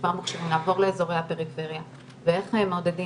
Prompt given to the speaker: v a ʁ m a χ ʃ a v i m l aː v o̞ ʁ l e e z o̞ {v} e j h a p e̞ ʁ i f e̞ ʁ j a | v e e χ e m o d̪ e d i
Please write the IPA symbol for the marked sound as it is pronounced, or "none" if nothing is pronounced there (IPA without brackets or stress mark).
ʁ